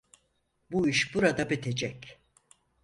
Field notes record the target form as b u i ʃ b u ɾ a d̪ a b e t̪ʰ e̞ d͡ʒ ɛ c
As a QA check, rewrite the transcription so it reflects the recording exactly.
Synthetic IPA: b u i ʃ b u ɾ a d̪ a b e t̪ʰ e̞ d͡ʒ ɛ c